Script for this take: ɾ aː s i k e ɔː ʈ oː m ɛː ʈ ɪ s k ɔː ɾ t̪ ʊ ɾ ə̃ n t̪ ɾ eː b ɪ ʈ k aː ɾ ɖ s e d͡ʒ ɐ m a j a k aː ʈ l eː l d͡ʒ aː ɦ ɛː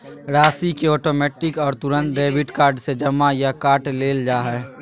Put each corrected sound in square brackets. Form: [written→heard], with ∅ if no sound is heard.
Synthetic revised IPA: ɾ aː s i k e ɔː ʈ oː m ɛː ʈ ɪ [s→∅] k ɔː ɾ t̪ ʊ ɾ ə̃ n t̪ ɾ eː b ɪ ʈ k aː ɾ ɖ s e d͡ʒ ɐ m a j a k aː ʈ l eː l d͡ʒ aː ɦ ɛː

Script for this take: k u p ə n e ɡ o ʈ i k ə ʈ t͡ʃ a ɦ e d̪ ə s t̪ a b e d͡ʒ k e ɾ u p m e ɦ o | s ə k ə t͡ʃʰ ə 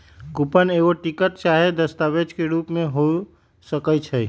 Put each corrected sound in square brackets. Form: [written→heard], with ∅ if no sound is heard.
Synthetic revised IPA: k u p ə n e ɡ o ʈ i k ə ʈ t͡ʃ a ɦ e d̪ ə s t̪ a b e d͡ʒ k e ɾ u p m e ɦ o | s ə k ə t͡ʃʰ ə

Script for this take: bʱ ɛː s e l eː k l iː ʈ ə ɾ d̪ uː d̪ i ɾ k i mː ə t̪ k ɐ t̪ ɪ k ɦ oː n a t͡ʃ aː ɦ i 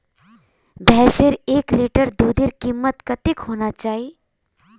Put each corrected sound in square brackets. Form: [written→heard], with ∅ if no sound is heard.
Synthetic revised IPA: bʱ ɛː s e [l→ɾ] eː k l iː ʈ ə ɾ d̪ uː d̪ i ɾ k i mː ə t̪ k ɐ t̪ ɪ k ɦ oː n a t͡ʃ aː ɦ i

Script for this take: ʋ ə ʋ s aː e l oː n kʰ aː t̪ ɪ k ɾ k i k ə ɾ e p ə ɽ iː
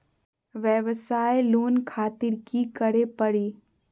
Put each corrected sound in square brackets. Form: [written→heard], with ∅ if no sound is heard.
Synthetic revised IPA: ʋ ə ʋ s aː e l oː n kʰ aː t̪ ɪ [k→∅] ɾ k i k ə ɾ e p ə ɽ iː

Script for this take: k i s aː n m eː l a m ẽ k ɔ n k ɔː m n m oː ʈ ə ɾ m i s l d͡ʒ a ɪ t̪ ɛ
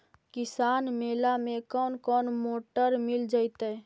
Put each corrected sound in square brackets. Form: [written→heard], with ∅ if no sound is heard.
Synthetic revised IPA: k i s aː n m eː l a m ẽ k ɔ n k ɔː [m→∅] n m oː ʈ ə ɾ m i [s→∅] l d͡ʒ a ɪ t̪ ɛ

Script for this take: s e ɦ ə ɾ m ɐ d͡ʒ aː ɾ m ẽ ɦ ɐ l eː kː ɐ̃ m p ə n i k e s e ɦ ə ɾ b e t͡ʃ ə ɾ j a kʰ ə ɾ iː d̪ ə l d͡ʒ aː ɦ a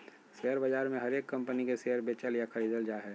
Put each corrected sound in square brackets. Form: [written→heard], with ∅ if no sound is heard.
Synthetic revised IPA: s e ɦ ə ɾ [m→b] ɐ d͡ʒ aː ɾ m ẽ ɦ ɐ [l→ɾ] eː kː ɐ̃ m p ə n i k e s e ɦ ə ɾ b e t͡ʃ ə [ɾ→l] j a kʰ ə ɾ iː d̪ ə l d͡ʒ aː ɦ [a→ɛ]

